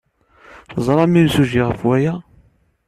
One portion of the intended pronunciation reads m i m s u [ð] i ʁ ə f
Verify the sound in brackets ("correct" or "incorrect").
incorrect